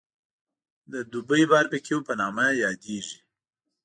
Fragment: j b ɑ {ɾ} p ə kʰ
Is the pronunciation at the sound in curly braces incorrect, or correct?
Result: correct